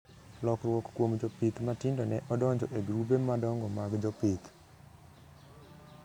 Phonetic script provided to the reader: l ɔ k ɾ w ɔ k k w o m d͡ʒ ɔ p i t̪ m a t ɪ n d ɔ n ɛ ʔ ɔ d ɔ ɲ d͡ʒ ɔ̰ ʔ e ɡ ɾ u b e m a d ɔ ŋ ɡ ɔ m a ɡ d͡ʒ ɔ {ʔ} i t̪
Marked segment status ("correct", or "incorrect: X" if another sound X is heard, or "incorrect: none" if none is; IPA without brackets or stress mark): incorrect: p